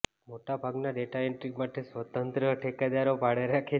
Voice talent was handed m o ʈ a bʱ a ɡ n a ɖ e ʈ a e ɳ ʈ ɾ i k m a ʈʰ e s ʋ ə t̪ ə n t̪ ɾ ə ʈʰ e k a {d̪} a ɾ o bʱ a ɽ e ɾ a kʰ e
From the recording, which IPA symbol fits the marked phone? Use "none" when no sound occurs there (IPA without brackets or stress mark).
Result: d̪